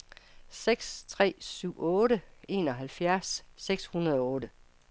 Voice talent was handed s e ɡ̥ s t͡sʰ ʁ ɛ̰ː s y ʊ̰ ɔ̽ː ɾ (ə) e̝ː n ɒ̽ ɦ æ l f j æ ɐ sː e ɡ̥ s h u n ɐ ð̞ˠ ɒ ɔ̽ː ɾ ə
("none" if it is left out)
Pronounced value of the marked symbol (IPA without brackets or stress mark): ə